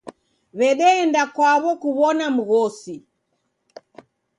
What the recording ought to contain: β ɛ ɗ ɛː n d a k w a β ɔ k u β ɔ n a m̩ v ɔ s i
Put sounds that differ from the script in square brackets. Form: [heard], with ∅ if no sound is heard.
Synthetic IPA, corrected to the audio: β ɛ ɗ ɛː n d a k w a β ɔ k u β ɔ n a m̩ [ɣ] ɔ s i